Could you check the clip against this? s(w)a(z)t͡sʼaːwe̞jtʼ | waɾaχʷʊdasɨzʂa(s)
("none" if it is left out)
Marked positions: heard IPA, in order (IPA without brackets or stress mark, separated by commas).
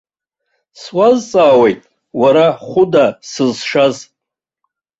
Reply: w, z, z